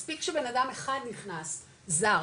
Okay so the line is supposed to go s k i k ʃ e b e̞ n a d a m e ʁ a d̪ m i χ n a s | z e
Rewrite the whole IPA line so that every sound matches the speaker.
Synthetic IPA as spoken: s p i k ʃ e b e̞ n a d a m e χ a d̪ n i χ n a s | z a

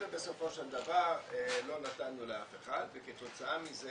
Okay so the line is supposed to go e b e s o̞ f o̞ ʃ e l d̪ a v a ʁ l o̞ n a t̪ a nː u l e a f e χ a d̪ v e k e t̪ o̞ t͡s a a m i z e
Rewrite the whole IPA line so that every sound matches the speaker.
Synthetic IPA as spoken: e b e s o̞ f o̞ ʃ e l d̪ a v a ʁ l o̞ n a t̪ a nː u l e a f e χ a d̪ v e k e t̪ o̞ t͡s a a m i z e

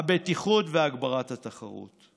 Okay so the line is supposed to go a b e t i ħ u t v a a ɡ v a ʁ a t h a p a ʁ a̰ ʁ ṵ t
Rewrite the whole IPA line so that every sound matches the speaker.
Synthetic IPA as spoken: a b e t i χ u t v e a ɡ b a ʁ a t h a t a χ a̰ ʁ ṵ t

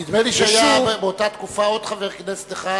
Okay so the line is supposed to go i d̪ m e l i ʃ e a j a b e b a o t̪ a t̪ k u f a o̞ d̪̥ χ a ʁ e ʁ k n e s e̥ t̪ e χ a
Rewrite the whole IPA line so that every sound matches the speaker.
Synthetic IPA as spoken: i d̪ m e l i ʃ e a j a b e b e o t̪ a t̪ k u f a o̞ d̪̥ χ a v e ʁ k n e s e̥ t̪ e χ a

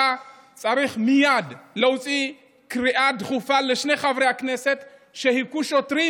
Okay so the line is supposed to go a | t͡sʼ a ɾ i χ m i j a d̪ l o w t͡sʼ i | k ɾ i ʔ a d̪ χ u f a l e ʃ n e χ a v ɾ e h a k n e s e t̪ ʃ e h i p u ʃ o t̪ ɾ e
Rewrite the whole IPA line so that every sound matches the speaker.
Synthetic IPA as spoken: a | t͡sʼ a ɾ i χ m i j a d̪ l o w t͡sʼ i | k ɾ i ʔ a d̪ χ u f a l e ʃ n e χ a v ɾ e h a k n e s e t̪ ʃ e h i k u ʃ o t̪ ɾ i

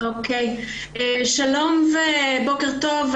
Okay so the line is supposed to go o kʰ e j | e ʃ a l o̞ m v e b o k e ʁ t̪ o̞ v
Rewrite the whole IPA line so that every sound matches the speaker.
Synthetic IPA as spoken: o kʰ e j | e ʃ a l o̞ m v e b o k e ʁ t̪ o̞ v

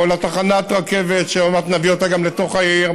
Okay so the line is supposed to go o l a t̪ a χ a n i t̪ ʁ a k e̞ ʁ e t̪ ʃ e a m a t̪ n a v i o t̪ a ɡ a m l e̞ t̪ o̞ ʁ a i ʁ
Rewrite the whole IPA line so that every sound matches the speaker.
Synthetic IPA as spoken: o l a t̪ a χ a n a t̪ ʁ a k e̞ v e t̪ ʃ e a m a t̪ n a v i o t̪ a ɡ a m l e̞ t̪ o̞ χ a i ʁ

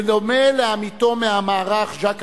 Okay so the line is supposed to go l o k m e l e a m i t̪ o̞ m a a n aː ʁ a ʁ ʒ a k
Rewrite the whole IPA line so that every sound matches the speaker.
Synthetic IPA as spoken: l o m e l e a m i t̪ o̞ m e a m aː ʁ a χ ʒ a k

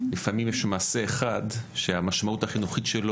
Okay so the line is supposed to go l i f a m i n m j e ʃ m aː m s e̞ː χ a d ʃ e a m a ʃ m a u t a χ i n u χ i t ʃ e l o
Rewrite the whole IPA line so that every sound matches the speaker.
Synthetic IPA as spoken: l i f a m i m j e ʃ m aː s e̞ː χ a d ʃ e a m a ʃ m a u t a χ i n u χ i t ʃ e l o

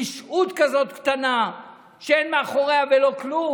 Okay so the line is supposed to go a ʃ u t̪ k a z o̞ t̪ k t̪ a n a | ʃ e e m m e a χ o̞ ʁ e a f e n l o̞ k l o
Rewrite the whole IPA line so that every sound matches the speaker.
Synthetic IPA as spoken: i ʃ u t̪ k a z o̞ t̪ k t̪ a n a | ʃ e e n m e a χ o̞ ʁ e a v e l o̞ k l u

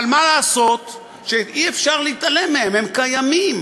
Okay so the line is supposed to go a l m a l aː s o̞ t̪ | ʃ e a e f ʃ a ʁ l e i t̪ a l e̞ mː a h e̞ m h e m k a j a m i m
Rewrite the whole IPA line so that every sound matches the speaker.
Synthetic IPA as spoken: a l m a l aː s o̞ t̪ | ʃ e i e f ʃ a ʁ l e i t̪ a l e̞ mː e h e̞ m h e m k a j a m i m

